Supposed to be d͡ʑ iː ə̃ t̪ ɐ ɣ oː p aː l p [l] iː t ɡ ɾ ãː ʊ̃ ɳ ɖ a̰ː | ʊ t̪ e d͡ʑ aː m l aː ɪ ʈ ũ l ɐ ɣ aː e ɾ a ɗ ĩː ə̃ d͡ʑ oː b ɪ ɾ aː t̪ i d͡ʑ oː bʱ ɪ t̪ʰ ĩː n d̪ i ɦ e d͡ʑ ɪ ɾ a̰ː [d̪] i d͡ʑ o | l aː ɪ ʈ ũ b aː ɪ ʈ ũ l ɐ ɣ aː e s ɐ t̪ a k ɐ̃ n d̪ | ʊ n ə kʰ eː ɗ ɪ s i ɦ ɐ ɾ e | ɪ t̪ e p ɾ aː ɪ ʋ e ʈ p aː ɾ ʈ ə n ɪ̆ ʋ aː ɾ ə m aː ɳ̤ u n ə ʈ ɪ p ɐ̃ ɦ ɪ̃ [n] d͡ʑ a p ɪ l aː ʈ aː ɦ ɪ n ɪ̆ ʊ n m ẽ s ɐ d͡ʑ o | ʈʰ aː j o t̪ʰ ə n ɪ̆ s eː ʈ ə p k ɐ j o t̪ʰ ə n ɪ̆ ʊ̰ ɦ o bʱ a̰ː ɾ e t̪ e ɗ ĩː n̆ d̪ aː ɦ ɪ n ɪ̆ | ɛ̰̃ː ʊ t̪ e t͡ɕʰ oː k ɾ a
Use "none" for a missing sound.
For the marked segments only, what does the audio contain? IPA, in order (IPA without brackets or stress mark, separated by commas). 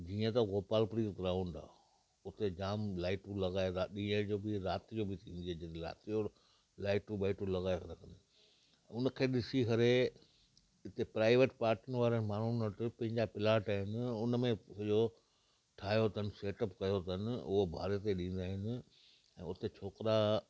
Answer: ɾ, t̪, ɲ